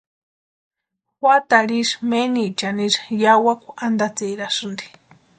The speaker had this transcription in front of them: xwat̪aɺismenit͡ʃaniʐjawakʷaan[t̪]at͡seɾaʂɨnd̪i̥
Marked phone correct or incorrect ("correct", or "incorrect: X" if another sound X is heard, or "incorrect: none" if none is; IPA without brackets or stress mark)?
incorrect: d̪